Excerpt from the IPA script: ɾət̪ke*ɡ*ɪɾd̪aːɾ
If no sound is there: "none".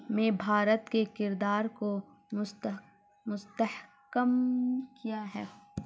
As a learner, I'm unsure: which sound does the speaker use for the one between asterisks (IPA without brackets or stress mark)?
k